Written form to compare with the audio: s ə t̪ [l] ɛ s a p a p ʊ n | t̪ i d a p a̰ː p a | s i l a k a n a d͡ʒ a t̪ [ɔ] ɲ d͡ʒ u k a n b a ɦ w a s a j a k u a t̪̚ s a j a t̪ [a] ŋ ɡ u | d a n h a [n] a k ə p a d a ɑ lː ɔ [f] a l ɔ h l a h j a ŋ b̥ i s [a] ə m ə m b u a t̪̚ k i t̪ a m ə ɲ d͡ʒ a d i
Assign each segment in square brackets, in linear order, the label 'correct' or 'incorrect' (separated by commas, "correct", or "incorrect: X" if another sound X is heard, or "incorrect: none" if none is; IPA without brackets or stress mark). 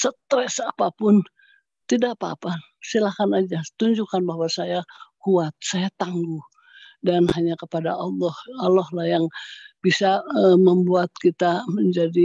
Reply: incorrect: ɾ, incorrect: u, correct, incorrect: ɲ, incorrect: h, correct